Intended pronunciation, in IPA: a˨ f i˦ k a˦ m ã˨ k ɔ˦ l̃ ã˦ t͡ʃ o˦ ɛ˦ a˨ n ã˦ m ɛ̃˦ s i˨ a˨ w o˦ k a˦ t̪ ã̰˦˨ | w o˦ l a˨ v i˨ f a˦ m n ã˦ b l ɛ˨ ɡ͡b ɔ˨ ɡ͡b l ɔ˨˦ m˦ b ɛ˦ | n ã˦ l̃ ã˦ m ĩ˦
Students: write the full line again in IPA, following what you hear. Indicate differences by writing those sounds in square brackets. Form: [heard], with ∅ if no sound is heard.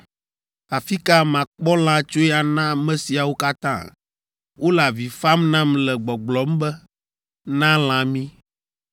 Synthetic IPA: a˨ f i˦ k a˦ m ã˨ [k͡p] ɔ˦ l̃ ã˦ t͡ʃ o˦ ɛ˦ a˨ n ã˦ m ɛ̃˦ s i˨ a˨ w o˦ k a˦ t̪ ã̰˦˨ | w o˦ l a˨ v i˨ f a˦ m n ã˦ [m] l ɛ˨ ɡ͡b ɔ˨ ɡ͡b l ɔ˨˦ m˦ b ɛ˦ | n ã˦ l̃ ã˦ m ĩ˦

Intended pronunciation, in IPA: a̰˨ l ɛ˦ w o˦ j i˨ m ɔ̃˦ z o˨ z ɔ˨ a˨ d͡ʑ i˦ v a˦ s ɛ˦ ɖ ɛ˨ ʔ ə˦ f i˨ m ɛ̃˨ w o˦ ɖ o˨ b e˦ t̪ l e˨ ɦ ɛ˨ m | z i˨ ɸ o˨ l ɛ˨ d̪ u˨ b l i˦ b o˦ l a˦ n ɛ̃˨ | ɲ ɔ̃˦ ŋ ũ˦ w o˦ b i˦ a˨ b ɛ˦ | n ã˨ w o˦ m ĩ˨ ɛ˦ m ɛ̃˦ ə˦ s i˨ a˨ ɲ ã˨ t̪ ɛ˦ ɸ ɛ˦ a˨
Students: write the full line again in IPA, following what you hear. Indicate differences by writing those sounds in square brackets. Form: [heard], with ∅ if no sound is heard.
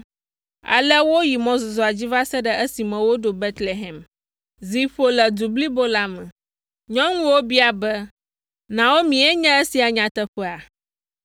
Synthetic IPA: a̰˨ l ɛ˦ w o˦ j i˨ m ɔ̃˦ z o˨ z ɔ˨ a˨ d͡ʑ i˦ v a˦ s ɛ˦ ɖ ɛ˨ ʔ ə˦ [s] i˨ m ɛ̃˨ w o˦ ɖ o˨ b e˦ t̪ l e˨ ɦ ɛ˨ m | z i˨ ɸ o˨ l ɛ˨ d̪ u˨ b l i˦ b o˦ l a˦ [m] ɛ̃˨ | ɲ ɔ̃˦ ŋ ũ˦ w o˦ b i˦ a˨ b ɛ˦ | n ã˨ w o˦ m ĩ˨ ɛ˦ [ɲ] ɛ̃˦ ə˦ s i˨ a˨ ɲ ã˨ t̪ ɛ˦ ɸ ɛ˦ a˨

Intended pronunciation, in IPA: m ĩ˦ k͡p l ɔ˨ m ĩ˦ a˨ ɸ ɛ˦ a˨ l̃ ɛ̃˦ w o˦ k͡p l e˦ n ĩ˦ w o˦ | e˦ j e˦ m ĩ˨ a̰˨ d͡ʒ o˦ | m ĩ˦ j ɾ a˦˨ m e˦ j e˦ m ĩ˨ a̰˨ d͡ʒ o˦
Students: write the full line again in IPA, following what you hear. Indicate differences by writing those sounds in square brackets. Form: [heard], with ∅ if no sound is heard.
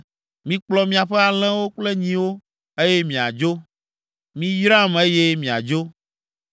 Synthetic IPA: m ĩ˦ k͡p l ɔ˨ m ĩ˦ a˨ ɸ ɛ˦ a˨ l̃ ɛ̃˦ w o˦ k͡p l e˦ [ɲ] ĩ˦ w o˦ | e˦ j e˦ m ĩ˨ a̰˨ d͡ʒ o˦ | m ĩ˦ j ɾ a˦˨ m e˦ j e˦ m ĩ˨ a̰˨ d͡ʒ o˦

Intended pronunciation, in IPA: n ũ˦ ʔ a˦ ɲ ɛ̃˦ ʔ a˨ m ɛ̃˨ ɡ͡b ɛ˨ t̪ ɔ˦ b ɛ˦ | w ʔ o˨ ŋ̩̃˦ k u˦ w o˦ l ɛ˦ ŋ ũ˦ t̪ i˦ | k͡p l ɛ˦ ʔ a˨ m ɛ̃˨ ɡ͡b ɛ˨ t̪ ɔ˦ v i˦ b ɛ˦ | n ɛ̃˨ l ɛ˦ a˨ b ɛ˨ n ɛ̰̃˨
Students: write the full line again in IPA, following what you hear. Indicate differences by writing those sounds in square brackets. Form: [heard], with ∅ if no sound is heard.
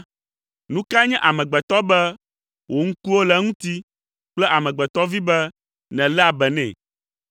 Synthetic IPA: n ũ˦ [k] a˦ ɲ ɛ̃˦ ʔ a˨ m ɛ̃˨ ɡ͡b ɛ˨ t̪ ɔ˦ b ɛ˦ | w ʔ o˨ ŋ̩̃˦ k u˦ w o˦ l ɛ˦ ŋ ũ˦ t̪ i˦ | k͡p l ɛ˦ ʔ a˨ m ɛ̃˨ ɡ͡b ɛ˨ t̪ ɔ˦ v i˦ b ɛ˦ | n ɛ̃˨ l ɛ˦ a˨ b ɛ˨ n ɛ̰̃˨

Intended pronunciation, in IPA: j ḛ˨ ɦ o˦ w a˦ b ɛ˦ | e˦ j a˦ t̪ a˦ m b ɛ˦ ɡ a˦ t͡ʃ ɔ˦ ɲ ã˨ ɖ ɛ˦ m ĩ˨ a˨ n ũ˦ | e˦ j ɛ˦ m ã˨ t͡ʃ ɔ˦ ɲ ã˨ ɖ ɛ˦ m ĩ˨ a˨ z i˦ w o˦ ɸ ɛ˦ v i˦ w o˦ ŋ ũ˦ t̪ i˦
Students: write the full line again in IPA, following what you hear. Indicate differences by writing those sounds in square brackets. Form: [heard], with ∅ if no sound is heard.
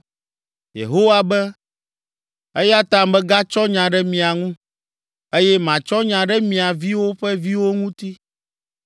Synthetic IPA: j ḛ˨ ɦ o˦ w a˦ b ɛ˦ | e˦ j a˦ t̪ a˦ m b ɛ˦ ɡ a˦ t͡ʃ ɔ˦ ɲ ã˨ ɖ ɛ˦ m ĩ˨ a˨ [ŋ] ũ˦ | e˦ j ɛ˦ m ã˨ t͡ʃ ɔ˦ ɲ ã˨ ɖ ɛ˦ m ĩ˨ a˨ [v] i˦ w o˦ ɸ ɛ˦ v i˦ w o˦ ŋ ũ˦ t̪ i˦

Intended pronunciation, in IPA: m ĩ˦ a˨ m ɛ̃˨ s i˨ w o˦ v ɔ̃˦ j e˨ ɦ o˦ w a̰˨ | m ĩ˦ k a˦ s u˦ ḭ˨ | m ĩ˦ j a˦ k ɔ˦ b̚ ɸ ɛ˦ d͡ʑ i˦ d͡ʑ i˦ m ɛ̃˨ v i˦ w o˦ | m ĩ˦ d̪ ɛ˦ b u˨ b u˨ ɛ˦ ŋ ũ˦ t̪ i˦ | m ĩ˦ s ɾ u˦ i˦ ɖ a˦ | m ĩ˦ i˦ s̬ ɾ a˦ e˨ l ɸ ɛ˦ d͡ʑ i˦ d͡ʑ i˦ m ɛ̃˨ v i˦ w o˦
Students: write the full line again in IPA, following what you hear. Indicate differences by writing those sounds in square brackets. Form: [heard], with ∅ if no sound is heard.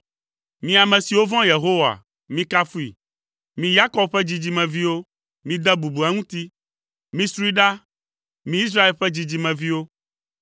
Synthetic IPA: m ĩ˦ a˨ m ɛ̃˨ s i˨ w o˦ v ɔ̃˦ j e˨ ɦ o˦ w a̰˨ | m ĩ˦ k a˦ [f] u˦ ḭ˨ | m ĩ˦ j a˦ k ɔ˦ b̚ ɸ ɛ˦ d͡ʑ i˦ d͡ʑ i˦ m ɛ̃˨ v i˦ w o˦ | m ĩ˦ d̪ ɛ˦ b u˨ b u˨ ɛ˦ ŋ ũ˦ t̪ i˦ | m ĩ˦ s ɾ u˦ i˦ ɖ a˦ | m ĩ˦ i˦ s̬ ɾ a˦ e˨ l ɸ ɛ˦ d͡ʑ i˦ d͡ʑ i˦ m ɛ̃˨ v i˦ w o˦

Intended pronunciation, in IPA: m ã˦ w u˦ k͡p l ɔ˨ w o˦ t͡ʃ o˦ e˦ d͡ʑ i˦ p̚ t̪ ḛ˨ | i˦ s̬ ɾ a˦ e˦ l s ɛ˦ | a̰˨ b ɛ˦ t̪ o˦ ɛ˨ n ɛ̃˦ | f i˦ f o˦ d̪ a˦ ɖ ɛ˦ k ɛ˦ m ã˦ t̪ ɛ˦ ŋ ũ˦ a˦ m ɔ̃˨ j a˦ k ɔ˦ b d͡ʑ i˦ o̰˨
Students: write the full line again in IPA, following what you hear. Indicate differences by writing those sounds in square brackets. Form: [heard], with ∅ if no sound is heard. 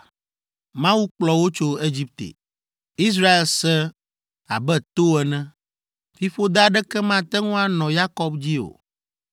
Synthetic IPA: m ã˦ w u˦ k͡p l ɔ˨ w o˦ t͡ʃ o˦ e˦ d͡ʑ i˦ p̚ t̪ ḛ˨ | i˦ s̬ ɾ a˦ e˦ l s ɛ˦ | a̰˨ b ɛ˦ t̪ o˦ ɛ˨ n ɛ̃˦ | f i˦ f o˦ d̪ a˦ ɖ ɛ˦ k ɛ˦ m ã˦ t̪ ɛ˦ ŋ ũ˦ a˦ [n] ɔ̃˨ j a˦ k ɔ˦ b d͡ʑ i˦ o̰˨

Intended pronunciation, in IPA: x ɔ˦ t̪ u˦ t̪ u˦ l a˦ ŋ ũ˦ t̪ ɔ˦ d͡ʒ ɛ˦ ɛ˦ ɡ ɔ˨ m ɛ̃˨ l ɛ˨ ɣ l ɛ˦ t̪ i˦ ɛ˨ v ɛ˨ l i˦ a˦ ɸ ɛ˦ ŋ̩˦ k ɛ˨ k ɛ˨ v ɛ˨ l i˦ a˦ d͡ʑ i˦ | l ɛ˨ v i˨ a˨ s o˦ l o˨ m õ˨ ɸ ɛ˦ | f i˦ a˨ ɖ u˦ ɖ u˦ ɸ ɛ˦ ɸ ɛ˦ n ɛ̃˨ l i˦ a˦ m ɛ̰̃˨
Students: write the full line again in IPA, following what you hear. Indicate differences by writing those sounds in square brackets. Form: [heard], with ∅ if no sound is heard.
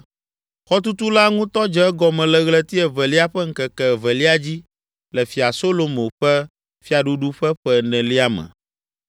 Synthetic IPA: x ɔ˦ t̪ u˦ t̪ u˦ l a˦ ŋ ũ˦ t̪ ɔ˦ d͡ʒ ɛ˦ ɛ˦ ɡ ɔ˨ m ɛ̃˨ l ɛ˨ ɣ l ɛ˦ t̪ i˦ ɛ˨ v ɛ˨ l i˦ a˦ ɸ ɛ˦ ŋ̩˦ k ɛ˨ k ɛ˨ v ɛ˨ l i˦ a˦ d͡ʑ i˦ | l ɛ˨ [f] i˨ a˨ s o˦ l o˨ m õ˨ ɸ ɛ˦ | f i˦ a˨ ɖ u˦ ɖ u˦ ɸ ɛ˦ ɸ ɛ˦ n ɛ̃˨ l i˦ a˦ m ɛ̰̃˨

